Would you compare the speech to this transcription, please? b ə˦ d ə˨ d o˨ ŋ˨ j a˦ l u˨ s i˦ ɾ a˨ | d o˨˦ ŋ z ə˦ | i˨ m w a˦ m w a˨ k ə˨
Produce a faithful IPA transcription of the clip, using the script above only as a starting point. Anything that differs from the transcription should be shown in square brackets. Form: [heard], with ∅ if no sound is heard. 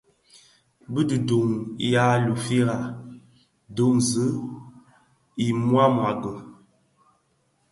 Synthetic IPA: b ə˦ d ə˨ d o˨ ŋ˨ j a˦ l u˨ [f] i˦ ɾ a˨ | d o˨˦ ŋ z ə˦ | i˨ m w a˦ m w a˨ [ɡ] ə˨